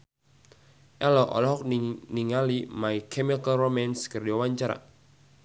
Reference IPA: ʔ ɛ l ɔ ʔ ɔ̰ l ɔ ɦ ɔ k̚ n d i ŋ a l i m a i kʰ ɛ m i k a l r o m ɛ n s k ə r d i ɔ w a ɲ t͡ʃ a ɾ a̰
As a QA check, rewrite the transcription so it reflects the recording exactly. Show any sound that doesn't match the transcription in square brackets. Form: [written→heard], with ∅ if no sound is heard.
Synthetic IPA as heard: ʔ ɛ l ɔ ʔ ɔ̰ l ɔ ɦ ɔ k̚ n [d→n] i ŋ a l i m a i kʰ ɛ m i k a l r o m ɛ n s k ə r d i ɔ w a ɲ t͡ʃ a ɾ a̰